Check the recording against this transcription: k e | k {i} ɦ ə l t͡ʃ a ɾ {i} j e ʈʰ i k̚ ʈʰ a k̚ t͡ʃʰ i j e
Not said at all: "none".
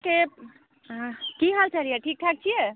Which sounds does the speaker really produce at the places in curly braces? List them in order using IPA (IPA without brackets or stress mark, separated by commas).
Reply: i, i